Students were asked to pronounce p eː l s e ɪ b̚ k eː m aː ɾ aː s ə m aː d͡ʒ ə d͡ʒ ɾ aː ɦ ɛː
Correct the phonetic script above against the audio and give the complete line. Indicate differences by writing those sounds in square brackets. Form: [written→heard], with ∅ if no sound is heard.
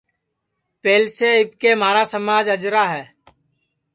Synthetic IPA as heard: p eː l s e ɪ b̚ k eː m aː ɾ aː s ə m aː d͡ʒ ə d͡ʒ ɾ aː ɦ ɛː